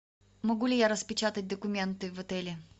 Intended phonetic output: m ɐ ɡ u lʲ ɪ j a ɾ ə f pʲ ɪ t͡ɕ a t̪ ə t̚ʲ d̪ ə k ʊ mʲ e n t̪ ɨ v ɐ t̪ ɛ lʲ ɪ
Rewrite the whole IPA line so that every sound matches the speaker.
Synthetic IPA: m ɐ ɡ u lʲ ɪ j a ɾ ə s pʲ ɪ t͡ɕ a t̪ ə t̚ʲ d̪ ə k ʊ mʲ e n t̪ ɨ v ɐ t̪ ɛ lʲ ɪ

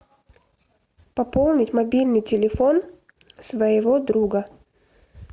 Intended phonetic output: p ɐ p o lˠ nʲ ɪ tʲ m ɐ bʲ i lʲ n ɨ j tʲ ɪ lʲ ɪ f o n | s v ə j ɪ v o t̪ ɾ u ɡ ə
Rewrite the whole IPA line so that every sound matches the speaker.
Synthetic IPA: p ɐ p o lˠ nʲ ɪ tʲ m ɐ bʲ i lʲ n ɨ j tʲ ɪ lʲ ɪ f o n | s v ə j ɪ v o d̪ ɾ u ɡ ə

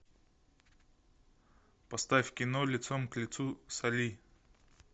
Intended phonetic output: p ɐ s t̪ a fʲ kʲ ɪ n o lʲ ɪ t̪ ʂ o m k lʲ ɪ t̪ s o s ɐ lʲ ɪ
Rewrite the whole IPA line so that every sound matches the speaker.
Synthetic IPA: p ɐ s t̪ a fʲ kʲ ɪ n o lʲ ɪ t̪ s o m k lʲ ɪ t̪ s u s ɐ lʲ i

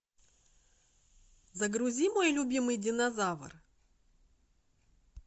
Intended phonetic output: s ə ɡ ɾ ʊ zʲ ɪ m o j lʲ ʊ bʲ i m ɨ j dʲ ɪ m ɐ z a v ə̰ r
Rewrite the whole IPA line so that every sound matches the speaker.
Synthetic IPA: z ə ɡ ɾ ʊ zʲ i m o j lʲ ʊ bʲ i m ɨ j dʲ ɪ n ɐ z a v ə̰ r

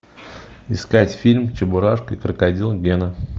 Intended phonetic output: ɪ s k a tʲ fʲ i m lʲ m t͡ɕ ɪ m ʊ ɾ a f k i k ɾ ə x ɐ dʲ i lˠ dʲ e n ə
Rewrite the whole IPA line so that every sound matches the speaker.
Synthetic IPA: ɪ s k a tʲ fʲ i lʲ m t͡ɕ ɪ b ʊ ɾ a ʂ k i k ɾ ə k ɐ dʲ i lˠ ɡʲ e n ə

